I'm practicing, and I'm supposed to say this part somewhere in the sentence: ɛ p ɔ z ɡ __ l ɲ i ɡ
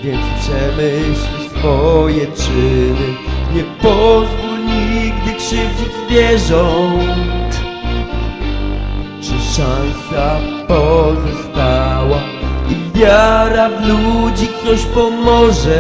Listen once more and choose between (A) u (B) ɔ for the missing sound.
A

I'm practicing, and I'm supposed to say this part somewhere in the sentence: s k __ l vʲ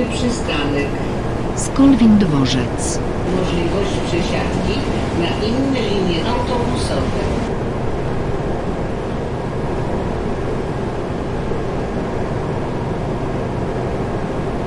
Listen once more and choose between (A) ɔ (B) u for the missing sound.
A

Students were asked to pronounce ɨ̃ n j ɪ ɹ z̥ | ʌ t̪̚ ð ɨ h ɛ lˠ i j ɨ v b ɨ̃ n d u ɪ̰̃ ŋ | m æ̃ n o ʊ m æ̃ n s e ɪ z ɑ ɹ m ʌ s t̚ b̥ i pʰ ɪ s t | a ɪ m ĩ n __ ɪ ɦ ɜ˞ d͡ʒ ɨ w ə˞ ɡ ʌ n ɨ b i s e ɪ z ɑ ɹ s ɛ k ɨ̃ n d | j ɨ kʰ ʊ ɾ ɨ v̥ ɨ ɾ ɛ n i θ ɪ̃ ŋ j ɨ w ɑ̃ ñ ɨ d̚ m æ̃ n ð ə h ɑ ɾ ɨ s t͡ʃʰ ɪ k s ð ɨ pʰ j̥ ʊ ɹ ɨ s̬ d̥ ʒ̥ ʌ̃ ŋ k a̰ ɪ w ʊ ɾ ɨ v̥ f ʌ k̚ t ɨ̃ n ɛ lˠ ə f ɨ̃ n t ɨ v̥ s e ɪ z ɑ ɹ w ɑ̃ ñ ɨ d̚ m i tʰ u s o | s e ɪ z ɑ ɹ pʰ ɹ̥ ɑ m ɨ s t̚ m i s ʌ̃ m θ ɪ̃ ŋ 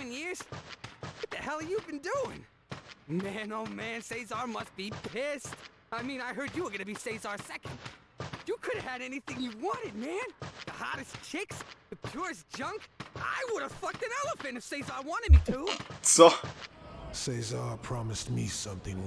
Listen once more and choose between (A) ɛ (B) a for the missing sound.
B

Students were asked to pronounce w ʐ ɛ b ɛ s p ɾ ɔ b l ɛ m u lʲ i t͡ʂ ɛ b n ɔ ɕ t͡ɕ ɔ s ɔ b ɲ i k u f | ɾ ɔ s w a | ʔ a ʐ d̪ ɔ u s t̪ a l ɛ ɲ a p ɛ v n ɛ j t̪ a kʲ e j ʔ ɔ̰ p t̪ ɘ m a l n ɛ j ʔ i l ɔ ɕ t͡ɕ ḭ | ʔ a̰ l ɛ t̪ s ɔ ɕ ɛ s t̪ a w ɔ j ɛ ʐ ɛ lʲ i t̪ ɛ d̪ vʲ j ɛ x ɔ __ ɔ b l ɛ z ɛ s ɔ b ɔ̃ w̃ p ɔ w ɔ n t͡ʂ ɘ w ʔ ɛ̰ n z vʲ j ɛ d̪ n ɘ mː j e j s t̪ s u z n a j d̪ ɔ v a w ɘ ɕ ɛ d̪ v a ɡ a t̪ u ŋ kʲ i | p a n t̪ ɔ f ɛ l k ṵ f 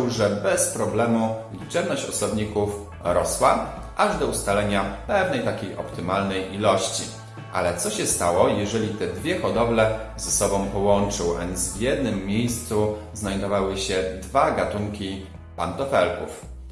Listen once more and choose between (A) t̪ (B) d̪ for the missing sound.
B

